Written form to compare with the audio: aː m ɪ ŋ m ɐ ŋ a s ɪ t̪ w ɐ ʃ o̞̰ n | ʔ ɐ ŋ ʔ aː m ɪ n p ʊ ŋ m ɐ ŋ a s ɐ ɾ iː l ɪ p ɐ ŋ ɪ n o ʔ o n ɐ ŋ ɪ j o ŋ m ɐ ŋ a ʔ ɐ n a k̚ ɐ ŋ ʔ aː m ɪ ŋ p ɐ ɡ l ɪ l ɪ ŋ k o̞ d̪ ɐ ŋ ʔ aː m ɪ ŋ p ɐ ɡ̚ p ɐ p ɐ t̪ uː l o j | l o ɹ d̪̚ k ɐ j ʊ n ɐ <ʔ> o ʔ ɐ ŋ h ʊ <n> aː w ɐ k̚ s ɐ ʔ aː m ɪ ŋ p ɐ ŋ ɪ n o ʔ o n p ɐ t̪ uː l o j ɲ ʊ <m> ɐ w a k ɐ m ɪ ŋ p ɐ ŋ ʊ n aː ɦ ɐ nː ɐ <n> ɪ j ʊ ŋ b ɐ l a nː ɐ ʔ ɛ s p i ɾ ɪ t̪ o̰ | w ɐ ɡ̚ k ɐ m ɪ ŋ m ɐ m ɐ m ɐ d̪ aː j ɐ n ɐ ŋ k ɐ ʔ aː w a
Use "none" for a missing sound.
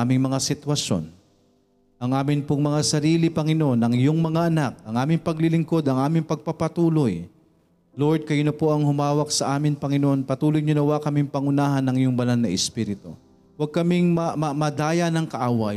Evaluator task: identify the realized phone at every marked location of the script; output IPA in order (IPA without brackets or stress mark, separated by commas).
p, m, n, ŋ